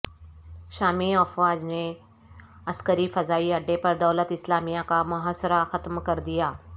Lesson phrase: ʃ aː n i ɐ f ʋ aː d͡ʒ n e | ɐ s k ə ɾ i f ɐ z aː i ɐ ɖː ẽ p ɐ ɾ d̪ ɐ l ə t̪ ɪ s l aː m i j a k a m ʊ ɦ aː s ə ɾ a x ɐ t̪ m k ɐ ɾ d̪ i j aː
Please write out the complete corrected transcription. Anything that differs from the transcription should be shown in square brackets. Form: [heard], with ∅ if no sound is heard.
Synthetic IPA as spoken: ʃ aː [m] i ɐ f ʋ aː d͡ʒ n e | ɐ s k ə ɾ i f ɐ z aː i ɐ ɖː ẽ p ɐ ɾ d̪ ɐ l ə t̪ ɪ s l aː m i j a k a m ʊ ɦ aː s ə ɾ a x ɐ t̪ m k ɐ ɾ d̪ i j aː